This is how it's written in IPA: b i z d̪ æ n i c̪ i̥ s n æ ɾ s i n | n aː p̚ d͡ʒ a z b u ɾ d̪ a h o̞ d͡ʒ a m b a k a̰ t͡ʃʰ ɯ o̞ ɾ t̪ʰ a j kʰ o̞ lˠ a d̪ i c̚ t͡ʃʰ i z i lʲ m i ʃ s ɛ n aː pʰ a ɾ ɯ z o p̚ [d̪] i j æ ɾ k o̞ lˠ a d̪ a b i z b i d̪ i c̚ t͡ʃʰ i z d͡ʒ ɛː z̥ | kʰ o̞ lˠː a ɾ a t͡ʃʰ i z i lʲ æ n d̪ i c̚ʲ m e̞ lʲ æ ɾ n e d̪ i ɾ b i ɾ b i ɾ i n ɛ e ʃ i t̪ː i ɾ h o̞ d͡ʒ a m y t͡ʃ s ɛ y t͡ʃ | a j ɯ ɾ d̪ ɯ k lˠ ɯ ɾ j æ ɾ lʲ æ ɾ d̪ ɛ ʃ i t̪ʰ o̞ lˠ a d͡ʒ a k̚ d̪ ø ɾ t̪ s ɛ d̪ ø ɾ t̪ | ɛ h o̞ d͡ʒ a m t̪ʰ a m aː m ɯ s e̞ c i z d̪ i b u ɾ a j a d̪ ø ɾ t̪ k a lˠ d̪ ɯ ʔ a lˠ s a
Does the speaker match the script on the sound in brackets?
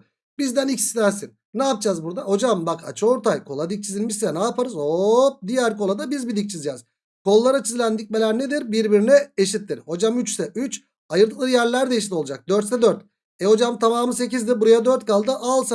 yes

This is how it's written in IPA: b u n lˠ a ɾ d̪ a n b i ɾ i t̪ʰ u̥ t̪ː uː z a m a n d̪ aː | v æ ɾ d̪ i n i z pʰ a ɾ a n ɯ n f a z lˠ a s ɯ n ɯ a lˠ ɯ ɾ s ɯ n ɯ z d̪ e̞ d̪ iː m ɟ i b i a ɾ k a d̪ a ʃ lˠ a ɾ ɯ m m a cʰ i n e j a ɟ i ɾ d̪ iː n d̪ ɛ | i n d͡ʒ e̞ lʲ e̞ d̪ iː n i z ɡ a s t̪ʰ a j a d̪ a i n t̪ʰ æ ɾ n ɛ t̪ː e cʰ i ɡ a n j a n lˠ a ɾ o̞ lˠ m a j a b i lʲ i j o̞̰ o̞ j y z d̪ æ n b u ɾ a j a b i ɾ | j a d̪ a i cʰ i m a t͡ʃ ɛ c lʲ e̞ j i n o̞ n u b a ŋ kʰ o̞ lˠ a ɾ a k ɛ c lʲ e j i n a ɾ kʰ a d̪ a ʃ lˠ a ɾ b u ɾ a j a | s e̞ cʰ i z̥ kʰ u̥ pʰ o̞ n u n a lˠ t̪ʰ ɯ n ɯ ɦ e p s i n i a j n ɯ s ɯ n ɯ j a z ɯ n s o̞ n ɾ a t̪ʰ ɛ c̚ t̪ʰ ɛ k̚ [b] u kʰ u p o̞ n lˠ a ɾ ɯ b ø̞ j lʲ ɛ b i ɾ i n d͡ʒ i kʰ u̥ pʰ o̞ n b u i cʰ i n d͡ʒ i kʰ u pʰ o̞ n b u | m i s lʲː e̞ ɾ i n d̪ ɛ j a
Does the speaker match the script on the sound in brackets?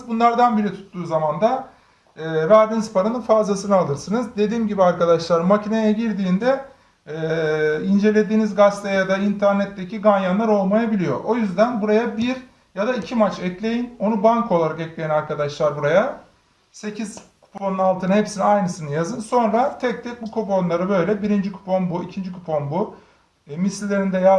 yes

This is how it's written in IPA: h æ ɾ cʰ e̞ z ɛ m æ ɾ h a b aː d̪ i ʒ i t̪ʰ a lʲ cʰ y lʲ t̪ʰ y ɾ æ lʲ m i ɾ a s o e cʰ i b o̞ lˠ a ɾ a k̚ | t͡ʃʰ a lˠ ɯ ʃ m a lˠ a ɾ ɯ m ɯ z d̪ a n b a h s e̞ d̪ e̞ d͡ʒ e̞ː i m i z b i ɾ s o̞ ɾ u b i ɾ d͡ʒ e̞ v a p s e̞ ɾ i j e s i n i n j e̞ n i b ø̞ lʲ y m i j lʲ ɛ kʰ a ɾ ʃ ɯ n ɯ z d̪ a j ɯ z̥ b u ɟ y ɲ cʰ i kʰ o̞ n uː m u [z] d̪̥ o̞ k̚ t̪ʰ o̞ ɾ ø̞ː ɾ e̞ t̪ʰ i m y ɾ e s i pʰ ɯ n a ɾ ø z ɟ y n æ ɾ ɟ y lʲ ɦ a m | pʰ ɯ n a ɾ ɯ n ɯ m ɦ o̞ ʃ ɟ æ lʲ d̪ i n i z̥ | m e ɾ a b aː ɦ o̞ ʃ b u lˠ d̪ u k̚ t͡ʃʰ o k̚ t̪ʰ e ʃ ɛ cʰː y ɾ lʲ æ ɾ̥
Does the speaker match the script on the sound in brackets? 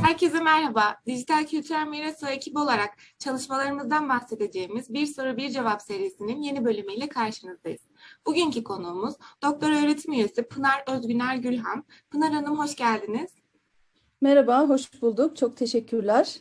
yes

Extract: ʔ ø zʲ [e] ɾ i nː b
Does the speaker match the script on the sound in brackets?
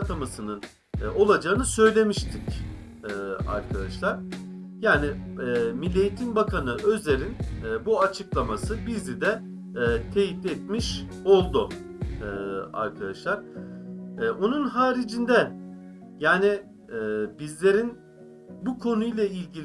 yes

